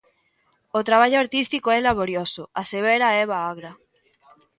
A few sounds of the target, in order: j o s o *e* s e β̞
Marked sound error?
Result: yes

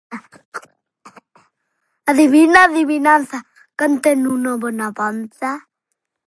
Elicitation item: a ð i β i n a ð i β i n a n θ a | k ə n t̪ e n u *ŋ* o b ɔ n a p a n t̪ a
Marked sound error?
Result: yes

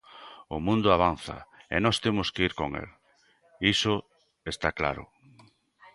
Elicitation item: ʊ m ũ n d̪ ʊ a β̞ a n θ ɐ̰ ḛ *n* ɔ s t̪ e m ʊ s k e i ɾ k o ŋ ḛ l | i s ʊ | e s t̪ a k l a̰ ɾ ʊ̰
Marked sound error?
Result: no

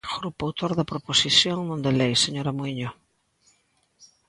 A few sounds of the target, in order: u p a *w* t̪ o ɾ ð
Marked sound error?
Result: no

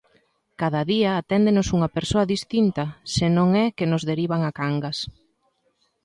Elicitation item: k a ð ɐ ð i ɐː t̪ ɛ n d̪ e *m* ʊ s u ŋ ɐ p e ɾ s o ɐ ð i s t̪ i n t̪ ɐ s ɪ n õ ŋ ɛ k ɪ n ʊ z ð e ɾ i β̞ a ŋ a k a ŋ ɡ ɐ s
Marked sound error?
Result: yes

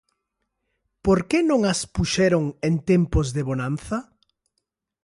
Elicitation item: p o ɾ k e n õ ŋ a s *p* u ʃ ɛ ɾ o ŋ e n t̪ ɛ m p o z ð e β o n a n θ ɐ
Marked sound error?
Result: no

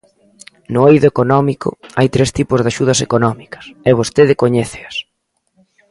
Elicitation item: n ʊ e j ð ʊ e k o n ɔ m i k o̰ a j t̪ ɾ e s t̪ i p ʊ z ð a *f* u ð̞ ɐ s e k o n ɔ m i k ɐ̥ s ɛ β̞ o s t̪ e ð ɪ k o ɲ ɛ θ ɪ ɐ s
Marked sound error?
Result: yes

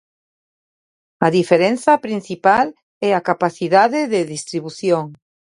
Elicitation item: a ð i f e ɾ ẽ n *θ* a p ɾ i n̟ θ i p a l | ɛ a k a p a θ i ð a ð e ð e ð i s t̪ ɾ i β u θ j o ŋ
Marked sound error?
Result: no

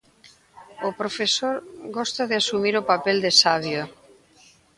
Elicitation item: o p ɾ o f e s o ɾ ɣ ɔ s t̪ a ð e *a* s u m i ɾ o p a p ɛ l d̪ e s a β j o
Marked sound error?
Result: no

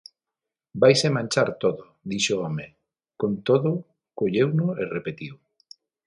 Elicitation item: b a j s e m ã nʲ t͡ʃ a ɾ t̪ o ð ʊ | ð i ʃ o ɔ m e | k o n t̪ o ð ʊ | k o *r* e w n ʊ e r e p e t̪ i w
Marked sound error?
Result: yes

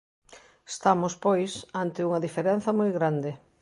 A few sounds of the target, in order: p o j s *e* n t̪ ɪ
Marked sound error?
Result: yes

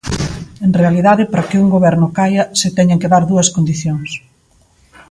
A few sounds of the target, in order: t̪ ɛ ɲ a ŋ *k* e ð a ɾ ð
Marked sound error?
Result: no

